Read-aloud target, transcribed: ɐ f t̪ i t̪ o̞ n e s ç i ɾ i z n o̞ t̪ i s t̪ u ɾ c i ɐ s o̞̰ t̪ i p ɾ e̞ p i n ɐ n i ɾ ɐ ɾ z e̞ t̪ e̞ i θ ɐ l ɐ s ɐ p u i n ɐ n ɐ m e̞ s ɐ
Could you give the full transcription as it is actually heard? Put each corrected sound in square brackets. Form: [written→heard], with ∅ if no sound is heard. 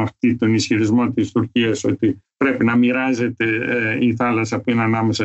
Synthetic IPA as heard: ɐ f t̪ i t̪ o̞ n [e→i] s ç i ɾ i z [n→m] o̞ t̪ i s t̪ u ɾ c i ɐ s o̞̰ t̪ i p ɾ e̞ p i n ɐ [n→m] i ɾ ɐ [ɾ→∅] z e̞ t̪ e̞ i θ ɐ l ɐ s ɐ p u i n ɐ n ɐ m e̞ s ɐ